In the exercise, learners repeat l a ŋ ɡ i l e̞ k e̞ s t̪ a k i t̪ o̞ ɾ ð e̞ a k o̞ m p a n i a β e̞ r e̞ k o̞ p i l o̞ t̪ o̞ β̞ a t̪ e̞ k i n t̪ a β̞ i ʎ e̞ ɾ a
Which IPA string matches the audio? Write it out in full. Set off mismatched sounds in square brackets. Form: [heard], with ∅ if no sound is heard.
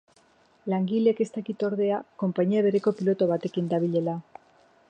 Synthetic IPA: l a ŋ ɡ i l e̞ k e̞ s t̪ a k i t̪ o̞ ɾ ð e̞ a k o̞ m p a [ɲ] i a β e̞ [ɾ] e̞ k o̞ p i l o̞ t̪ o̞ β̞ a t̪ e̞ k i n [d̪] a β̞ i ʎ e̞ [l] a